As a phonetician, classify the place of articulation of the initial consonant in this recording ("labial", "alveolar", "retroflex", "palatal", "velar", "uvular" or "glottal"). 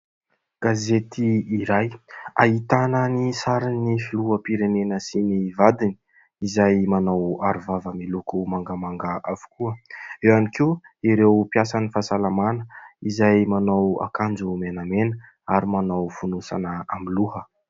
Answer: velar